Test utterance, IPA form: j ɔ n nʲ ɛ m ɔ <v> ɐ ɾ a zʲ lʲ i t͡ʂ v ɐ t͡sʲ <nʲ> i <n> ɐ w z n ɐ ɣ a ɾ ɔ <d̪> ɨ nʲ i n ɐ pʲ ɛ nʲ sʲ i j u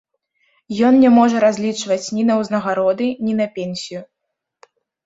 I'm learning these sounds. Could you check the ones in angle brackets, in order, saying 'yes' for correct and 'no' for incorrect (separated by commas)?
no, yes, yes, yes